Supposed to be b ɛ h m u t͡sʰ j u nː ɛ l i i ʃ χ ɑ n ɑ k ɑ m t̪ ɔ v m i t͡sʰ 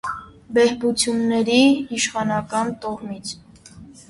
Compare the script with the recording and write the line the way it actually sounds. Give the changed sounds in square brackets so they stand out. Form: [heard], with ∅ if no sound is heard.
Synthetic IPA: b ɛ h [b] u t͡sʰ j u nː ɛ [ɾ] i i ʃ χ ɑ n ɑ k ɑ [n] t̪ ɔ [ʁ] m i t͡sʰ